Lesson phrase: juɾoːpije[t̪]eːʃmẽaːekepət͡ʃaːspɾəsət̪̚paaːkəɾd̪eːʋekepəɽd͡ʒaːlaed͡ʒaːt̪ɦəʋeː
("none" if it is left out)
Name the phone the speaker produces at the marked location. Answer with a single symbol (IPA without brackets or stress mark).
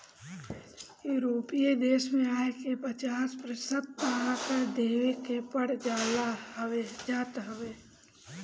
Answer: d̪